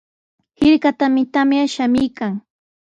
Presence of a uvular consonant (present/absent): absent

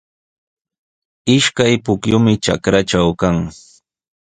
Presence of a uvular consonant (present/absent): absent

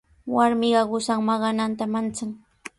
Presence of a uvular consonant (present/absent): present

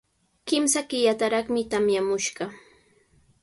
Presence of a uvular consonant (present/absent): present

